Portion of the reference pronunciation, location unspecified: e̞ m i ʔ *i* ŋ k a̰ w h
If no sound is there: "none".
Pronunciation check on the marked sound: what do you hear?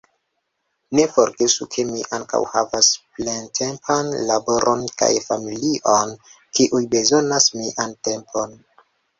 a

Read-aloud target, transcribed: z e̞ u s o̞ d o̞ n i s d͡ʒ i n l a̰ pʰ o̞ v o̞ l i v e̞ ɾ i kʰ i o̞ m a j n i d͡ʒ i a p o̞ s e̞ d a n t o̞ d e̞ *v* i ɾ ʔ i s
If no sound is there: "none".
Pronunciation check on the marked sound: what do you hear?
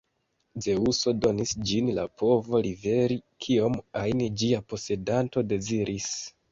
z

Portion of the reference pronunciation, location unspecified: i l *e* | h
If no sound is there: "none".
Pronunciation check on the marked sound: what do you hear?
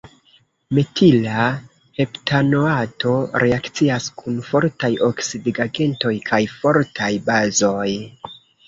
a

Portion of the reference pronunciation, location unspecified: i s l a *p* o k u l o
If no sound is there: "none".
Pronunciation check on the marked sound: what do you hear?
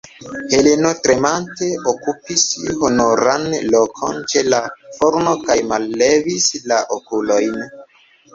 ʔ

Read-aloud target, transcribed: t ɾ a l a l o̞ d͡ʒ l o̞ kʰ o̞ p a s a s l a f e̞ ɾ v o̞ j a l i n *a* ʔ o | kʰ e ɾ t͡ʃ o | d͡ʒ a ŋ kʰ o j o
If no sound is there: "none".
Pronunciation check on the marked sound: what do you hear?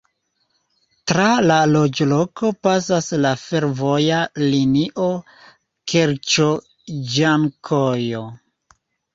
i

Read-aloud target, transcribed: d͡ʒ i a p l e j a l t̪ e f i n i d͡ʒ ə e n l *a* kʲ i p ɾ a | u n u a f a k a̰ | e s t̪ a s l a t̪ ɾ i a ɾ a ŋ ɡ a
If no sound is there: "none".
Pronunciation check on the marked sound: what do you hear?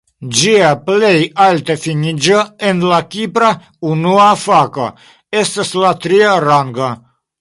a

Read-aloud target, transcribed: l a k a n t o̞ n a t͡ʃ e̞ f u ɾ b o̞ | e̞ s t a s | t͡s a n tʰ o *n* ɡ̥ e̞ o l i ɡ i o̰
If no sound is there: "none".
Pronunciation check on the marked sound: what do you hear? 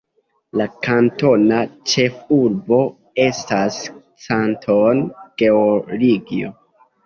n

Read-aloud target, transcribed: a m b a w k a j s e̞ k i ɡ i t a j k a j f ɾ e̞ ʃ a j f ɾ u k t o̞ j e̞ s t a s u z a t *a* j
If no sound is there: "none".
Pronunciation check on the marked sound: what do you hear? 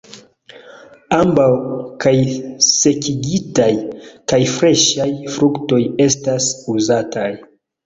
a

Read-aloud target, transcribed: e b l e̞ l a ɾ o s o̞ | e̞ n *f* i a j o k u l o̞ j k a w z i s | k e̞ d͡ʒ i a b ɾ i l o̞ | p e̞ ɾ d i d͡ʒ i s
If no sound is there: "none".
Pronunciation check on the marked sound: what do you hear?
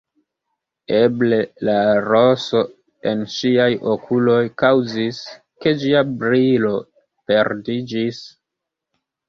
ʃ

